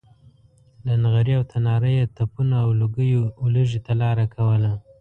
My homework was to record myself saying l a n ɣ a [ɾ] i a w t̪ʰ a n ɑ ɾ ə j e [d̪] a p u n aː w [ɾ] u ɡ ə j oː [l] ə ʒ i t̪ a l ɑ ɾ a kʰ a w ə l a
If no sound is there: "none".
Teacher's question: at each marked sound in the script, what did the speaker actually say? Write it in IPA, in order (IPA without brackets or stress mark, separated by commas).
ɾ, t̪, l, l